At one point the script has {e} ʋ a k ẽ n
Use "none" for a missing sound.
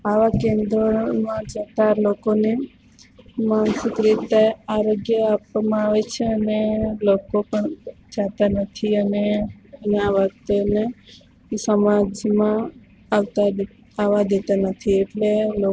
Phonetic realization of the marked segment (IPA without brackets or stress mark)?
a